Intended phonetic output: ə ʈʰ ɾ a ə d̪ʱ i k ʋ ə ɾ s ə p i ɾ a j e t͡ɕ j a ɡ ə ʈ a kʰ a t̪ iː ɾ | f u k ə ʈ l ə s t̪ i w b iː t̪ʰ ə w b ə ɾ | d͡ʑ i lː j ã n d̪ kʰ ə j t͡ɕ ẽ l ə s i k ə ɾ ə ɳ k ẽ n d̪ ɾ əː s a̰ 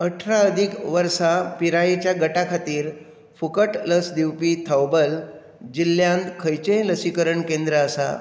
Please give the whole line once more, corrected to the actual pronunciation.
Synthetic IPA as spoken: ə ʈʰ ɾ a ə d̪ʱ i k ʋ ə ɾ s a p i ɾ a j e t͡ɕ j a ɡ ə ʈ a kʰ a t̪ iː ɾ | f u k ə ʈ l ə s d̪ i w p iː t̪ʰ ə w b ə l | d͡ʑ i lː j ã n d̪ kʰ ə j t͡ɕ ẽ l ə s i k ə ɾ ə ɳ k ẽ n d̪ ɾ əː s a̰